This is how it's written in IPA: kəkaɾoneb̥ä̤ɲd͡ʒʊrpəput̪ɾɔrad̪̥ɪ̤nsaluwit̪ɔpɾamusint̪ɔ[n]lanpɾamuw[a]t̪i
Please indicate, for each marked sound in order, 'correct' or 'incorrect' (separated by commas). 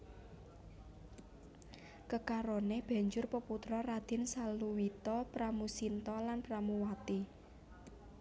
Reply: incorrect, correct